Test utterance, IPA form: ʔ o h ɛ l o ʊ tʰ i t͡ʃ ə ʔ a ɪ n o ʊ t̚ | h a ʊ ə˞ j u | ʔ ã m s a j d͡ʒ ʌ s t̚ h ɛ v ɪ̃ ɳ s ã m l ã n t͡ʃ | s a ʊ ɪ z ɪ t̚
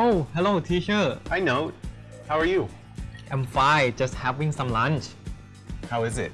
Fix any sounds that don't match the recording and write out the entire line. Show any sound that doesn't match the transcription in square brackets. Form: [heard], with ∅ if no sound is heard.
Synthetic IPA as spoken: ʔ o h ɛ l o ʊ tʰ i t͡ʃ ə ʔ a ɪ n o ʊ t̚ | h a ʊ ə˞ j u | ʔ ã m [f] a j d͡ʒ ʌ s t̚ h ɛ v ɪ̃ [ŋ] s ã m l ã n t͡ʃ | [h] a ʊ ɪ z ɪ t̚